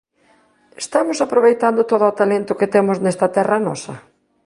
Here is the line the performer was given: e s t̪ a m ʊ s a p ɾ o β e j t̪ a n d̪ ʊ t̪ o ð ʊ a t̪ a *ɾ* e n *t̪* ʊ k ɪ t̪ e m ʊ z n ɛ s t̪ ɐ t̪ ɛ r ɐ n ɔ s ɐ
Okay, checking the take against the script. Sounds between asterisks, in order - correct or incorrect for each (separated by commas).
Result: incorrect, correct